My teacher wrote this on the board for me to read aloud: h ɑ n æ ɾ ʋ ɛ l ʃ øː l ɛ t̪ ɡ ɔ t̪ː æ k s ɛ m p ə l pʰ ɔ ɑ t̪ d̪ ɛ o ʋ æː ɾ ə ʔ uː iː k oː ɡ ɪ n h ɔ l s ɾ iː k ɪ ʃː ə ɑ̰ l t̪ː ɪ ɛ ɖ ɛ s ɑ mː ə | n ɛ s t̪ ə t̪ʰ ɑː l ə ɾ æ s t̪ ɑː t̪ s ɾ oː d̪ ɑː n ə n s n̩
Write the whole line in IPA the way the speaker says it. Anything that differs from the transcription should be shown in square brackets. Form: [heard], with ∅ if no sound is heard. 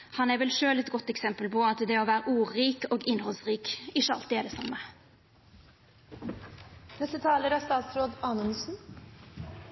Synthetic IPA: h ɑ n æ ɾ ʋ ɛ l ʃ øː l ɛ t̪ ɡ ɔ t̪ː [ɛ] k s ɛ m p ə l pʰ ɔ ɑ t̪ d̪ ɛ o ʋ æː ɾ ə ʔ uː iː k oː ɡ ɪ n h ɔ l s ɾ iː k ɪ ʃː ə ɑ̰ l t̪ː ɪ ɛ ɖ ɛ s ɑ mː ə | n ɛ s t̪ ə t̪ʰ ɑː l ə ɾ æ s t̪ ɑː t̪ s ɾ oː d̪ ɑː n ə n s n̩